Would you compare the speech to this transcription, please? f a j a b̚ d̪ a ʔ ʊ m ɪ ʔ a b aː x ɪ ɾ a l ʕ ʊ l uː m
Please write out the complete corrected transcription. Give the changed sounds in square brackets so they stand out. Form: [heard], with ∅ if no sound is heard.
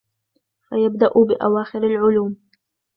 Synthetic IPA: f a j a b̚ d̪ a ʔ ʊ [b] ɪ ʔ a [w] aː x ɪ ɾ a l ʕ ʊ l uː m